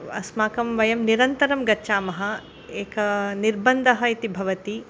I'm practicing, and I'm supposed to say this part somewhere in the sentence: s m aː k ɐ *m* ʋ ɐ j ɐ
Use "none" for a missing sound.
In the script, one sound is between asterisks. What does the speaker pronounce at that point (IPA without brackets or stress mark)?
m